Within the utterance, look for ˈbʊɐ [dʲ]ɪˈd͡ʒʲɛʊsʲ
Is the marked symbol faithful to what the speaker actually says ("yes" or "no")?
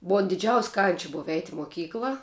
yes